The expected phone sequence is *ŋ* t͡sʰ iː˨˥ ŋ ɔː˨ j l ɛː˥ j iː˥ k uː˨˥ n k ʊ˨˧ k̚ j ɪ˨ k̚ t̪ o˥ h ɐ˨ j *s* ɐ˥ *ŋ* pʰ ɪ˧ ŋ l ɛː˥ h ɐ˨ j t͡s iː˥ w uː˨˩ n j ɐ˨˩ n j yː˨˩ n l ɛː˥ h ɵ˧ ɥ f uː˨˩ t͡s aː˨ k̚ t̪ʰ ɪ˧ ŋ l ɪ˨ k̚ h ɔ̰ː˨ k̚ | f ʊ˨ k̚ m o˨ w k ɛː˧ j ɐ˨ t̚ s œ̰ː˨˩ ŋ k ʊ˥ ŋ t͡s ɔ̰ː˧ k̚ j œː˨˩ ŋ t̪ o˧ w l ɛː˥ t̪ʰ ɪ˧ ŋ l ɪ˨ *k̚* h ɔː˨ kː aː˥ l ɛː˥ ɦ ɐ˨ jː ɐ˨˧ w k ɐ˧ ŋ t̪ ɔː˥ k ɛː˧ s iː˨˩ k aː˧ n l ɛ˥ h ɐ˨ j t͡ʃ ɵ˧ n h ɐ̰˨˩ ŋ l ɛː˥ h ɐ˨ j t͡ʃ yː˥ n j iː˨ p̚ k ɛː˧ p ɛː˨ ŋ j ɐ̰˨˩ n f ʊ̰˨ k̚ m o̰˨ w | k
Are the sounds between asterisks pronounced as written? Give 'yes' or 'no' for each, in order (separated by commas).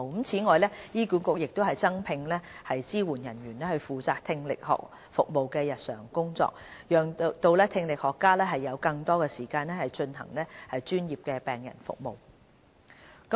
no, no, yes, yes